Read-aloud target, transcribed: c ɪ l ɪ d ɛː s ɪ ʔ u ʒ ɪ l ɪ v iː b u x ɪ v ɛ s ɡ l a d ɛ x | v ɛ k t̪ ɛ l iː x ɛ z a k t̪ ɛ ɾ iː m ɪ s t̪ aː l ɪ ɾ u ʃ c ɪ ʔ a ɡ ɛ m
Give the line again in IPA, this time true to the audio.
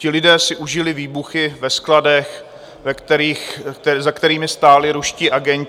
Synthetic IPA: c ɪ l ɪ d ɛː s ɪ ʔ u ʒ ɪ l ɪ v iː b u x ɪ v ɛ s k l a d ɛ x | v ɛ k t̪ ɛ ɾ iː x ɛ z a k t̪ ɛ ɾ iː m ɪ s t̪ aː l ɪ ɾ u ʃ c ɪ ʔ a ɡ ɛ ɲ